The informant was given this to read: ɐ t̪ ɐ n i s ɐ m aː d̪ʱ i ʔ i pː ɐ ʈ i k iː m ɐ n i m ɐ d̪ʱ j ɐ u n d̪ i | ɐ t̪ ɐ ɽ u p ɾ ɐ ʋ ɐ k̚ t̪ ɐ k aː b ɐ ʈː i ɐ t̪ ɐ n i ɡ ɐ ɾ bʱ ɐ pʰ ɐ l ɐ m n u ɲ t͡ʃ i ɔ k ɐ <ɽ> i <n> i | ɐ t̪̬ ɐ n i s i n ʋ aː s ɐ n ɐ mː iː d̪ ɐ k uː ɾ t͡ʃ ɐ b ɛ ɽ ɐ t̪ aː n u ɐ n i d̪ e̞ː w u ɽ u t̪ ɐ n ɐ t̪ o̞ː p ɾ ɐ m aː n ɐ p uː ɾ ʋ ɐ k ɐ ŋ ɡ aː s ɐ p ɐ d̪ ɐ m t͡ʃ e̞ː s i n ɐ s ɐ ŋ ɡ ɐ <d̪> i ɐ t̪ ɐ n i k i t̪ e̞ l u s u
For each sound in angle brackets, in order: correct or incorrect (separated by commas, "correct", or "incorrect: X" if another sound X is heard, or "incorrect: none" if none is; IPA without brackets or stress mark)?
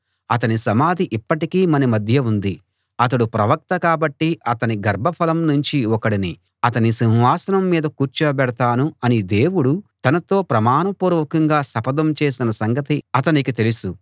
correct, correct, incorrect: t̪